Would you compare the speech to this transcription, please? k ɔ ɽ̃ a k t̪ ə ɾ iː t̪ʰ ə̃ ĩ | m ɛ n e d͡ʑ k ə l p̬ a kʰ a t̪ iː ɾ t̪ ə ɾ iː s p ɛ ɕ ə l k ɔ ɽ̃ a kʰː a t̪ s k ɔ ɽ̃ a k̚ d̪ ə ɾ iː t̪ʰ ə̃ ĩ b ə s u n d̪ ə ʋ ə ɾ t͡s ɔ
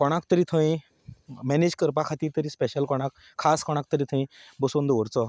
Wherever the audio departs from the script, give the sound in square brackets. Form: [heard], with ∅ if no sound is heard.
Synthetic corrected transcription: k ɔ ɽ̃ a k t̪ ə ɾ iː t̪ʰ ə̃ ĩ | m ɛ n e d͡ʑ k ə [ɾ] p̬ a kʰ a t̪ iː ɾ t̪ ə ɾ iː s p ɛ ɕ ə l k ɔ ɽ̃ a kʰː a [∅] s k ɔ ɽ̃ a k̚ [t̪] ə ɾ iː t̪ʰ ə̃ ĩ b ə s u n d̪ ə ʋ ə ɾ t͡s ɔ